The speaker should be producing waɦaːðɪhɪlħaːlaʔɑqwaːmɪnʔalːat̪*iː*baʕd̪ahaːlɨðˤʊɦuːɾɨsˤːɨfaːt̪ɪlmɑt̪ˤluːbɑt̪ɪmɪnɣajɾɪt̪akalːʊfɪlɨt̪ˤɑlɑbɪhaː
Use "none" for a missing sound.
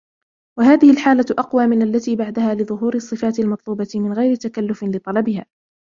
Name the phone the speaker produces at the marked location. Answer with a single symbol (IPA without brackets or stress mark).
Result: iː